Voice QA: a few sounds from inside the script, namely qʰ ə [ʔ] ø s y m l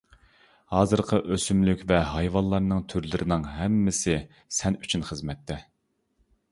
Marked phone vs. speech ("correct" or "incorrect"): correct